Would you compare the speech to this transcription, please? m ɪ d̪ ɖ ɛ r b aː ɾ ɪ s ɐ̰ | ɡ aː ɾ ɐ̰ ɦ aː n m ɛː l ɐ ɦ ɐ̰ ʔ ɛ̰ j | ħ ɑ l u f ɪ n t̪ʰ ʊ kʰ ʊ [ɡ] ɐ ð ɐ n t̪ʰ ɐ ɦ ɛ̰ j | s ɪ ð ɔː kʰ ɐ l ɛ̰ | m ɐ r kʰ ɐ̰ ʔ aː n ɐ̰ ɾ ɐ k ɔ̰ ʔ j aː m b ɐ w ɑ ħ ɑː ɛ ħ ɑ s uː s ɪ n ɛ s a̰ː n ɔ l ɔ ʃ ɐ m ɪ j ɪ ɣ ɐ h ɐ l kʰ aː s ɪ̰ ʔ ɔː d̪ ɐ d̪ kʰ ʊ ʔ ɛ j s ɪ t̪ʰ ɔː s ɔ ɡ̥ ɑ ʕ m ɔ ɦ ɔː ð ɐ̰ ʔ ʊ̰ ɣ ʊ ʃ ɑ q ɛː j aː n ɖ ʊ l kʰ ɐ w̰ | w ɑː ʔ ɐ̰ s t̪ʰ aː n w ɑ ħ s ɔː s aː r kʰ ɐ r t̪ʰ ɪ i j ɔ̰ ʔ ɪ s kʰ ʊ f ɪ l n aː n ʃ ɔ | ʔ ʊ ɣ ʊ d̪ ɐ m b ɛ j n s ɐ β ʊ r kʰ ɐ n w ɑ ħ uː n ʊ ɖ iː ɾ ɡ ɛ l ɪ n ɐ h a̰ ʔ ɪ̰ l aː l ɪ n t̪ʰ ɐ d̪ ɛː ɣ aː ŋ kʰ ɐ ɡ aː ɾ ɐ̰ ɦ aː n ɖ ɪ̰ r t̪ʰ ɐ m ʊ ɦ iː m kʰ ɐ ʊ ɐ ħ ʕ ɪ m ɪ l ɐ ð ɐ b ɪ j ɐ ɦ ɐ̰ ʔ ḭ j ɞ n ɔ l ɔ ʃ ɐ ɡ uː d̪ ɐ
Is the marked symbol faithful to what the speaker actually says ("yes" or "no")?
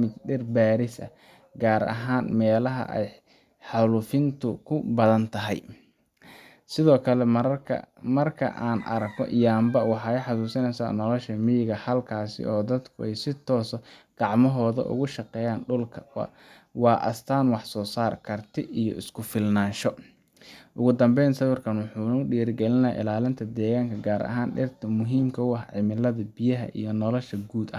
no